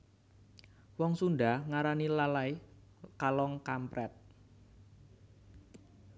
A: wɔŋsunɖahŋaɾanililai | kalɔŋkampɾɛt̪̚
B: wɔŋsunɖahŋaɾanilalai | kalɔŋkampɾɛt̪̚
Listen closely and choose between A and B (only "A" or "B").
B